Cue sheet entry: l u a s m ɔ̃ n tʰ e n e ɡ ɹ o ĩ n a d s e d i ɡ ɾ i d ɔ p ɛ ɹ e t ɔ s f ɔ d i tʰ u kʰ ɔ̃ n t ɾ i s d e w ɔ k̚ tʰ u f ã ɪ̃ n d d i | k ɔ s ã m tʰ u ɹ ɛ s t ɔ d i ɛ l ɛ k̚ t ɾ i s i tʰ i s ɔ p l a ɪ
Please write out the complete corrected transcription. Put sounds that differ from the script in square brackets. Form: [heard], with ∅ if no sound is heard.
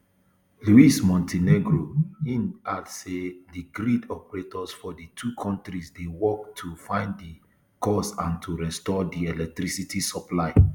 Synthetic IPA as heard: l u [i] s m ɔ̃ n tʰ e n e ɡ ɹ o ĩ n a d s e d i ɡ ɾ i d ɔ p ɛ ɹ e t ɔ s f ɔ d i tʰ u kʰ ɔ̃ n t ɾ i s d e w ɔ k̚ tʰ u f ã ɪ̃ n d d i | k ɔ s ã [n] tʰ u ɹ ɛ s t ɔ d i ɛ l ɛ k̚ t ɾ i s i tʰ i s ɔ p l a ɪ